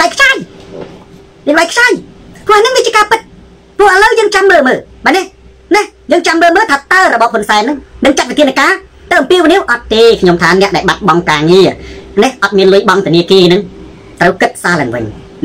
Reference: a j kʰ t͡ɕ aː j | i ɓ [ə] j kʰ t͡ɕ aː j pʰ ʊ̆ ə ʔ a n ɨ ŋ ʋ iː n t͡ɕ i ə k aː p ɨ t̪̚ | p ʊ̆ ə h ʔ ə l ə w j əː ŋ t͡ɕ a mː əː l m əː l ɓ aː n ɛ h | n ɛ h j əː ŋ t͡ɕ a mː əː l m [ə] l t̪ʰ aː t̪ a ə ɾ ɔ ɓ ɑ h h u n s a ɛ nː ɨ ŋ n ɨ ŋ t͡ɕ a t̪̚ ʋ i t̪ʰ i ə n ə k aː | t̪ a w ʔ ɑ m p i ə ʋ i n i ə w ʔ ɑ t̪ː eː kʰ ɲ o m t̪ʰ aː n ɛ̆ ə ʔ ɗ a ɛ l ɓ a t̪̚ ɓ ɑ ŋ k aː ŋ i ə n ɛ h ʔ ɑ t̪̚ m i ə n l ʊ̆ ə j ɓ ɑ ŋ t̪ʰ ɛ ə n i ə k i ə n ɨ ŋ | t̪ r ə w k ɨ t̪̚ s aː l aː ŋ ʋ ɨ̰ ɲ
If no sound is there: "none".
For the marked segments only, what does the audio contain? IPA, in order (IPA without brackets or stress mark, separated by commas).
a, əː